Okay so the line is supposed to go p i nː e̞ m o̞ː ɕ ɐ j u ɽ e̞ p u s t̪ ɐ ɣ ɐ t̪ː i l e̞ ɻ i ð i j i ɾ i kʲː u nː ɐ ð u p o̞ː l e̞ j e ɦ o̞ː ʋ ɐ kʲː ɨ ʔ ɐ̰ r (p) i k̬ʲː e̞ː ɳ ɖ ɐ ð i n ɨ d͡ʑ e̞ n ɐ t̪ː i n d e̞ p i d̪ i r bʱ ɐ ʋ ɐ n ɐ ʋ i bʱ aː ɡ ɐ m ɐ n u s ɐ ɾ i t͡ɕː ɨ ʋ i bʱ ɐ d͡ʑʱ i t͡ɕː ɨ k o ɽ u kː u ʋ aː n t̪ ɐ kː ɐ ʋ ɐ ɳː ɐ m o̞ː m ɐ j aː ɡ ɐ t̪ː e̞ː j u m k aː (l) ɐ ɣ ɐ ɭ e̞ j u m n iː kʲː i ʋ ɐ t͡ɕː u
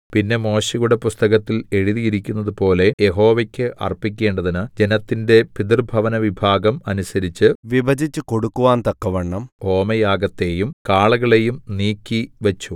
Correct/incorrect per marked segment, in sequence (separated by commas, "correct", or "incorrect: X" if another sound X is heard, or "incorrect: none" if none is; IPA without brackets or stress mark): correct, incorrect: ɭ